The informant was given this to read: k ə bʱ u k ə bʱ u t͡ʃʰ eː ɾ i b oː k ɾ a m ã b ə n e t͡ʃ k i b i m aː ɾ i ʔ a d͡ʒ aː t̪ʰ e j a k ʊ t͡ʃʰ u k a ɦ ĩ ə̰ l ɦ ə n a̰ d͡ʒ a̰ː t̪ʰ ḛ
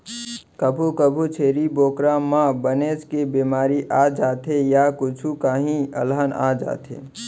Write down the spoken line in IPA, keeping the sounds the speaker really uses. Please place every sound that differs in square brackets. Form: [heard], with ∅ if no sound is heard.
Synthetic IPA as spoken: k ə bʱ u k ə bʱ u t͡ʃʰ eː ɾ i b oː k ɾ a m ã b ə n e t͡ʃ k [e] b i m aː ɾ i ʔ a d͡ʒ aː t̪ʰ e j a k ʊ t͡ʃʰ u k a ɦ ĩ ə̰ l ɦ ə n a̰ d͡ʒ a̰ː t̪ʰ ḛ